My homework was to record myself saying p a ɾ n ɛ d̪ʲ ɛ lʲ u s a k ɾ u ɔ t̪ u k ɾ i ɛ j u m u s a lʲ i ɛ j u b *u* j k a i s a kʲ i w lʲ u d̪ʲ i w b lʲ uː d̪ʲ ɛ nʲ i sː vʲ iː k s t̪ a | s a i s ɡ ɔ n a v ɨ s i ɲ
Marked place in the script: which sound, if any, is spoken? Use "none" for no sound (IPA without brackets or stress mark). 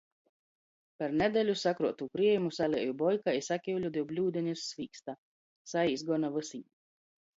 ɔ